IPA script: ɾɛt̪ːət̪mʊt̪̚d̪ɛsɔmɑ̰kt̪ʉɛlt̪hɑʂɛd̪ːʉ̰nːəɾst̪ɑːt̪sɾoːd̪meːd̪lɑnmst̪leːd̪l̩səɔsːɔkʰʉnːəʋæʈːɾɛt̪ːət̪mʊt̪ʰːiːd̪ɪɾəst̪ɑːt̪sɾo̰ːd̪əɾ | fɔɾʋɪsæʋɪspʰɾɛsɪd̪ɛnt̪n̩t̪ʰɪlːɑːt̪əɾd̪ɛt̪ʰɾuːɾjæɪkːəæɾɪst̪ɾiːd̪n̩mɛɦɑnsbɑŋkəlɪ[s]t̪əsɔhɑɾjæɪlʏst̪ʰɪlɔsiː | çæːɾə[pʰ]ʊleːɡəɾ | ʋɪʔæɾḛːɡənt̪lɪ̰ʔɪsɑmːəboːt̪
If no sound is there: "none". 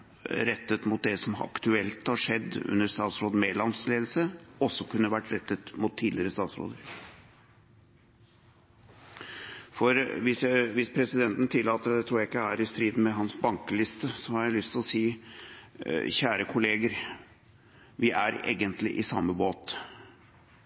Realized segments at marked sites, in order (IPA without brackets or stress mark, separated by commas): s, kʰ